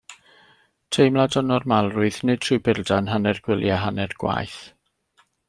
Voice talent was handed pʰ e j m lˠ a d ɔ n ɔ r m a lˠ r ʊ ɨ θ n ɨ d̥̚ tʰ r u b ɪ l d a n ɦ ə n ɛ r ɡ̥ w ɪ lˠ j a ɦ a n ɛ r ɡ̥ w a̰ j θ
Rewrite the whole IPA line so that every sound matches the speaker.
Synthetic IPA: tʰ e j m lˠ a d ɔ n ɔ r m a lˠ r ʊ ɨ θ n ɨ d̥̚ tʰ r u b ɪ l d a n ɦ a n ɛ r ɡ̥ w ɪ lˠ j a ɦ a n ɛ r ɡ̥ w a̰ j θ